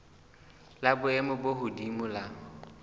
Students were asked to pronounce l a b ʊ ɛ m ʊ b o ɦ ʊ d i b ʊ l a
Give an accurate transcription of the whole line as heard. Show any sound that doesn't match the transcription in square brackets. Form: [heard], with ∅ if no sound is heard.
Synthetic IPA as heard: l a b ʊ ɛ m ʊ b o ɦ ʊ d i [m] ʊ l a